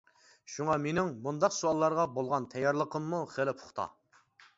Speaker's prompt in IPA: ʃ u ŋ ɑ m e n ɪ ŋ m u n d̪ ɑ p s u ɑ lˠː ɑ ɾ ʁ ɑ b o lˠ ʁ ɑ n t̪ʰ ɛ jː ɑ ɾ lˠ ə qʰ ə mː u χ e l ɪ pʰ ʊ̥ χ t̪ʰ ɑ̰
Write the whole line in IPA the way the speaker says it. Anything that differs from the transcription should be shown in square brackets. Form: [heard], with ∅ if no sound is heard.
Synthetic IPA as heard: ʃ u ŋ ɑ m e n ɪ ŋ m u n d̪ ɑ [q] s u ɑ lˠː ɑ ɾ ʁ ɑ b o lˠ ʁ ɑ n t̪ʰ ɛ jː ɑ ɾ lˠ ə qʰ ə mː u χ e l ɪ pʰ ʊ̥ χ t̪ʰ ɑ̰